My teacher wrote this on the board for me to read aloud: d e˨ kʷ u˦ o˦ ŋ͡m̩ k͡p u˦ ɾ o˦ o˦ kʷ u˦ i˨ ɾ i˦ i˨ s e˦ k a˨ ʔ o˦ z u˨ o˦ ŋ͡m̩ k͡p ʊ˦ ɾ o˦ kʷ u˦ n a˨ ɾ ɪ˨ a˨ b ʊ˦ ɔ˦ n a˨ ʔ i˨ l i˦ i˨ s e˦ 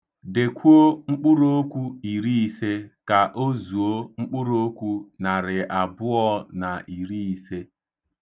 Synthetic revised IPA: d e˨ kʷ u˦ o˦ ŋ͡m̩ k͡p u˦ ɾ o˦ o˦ kʷ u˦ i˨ ɾ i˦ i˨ s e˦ k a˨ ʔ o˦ z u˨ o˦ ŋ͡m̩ k͡p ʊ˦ ɾ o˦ kʷ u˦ n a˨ ɾ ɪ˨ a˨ b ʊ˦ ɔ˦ n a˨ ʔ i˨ ɾ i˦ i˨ s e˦